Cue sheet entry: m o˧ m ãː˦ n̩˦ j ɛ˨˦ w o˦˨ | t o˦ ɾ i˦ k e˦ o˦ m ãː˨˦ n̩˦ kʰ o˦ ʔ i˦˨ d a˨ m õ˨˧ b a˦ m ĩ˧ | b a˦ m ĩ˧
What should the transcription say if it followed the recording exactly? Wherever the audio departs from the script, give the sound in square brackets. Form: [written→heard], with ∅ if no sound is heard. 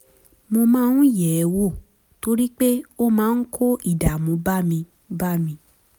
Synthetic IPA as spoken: m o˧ m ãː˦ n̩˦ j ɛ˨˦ w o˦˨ | t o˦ ɾ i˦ [k→k͡p] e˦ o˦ m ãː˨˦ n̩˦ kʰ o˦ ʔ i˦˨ d a˨ m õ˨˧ b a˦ m ĩ˧ | b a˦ m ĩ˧